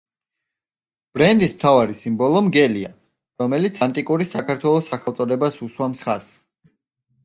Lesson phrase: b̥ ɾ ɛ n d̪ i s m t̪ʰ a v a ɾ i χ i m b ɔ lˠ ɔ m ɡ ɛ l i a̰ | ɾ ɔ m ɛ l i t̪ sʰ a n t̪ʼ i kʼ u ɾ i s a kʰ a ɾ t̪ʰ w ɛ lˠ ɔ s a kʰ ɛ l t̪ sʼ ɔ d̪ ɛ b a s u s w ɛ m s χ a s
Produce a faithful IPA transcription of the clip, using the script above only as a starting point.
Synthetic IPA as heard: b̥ ɾ ɛ n d̪ i s m t̪ʰ a v a ɾ i s i m b ɔ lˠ ɔ m ɡ ɛ l i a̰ | ɾ ɔ m ɛ l i t̪ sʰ a n t̪ʼ i kʼ u ɾ i s a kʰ a ɾ t̪ʰ w ɛ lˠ ɔ s a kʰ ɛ l t̪ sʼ ɔ d̪ ɛ b a s u s w a m s χ a s